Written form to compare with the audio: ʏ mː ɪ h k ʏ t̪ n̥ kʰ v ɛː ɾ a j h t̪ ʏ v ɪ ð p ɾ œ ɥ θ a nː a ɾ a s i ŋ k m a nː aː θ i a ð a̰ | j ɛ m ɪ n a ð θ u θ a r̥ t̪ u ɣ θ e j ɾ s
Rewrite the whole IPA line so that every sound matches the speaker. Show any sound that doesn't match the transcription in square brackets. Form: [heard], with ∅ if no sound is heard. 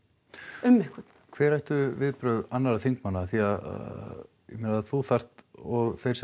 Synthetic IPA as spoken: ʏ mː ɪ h k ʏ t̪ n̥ kʰ v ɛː ɾ a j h t̪ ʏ v ɪ ð p ɾ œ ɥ [ð] a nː a ɾ a [θ] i ŋ k m a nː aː θ i a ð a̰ | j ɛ m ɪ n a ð θ u θ a r̥ t̪ [ɔ] ɣ θ e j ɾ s